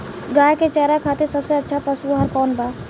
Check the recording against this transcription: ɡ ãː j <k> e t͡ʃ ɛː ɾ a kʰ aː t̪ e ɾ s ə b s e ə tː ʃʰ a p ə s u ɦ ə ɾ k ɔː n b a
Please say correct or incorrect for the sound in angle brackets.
correct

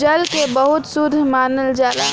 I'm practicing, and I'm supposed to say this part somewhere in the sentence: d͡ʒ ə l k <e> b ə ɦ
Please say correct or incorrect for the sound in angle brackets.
correct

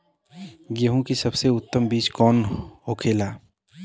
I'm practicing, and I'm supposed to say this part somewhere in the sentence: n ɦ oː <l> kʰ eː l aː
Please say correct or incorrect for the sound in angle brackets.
incorrect: none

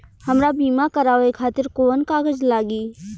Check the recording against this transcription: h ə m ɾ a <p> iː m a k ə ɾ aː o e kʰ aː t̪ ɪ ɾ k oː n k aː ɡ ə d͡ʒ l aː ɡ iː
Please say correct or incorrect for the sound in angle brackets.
incorrect: b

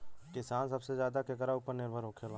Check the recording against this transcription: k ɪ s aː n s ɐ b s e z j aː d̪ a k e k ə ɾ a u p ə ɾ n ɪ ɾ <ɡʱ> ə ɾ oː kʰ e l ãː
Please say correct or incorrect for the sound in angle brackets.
incorrect: bʱ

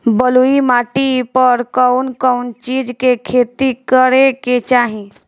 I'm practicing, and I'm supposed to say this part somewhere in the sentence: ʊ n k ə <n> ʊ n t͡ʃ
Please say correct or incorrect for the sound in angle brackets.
incorrect: none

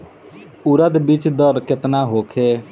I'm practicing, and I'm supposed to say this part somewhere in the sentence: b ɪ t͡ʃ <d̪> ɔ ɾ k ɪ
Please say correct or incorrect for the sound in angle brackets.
correct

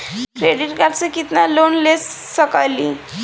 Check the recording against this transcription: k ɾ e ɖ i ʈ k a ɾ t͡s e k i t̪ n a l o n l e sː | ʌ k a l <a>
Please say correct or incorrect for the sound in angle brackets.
incorrect: i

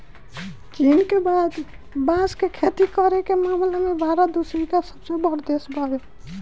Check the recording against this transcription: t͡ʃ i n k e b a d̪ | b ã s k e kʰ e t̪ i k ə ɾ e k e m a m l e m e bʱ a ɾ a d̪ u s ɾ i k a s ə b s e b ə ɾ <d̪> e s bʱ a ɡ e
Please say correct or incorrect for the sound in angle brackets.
correct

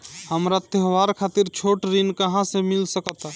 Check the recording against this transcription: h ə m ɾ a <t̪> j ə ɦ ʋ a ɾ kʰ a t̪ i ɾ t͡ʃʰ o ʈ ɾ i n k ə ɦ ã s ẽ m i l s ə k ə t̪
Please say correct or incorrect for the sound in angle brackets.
correct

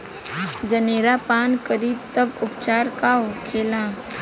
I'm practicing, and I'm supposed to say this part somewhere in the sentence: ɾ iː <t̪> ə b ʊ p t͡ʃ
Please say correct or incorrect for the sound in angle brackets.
correct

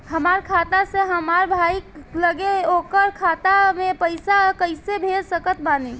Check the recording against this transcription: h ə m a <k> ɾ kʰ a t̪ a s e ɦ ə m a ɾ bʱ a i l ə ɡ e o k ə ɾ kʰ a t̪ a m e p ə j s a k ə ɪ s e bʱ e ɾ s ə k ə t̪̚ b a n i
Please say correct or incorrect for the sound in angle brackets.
incorrect: none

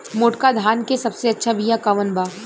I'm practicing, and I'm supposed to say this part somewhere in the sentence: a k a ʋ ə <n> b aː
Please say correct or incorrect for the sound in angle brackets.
correct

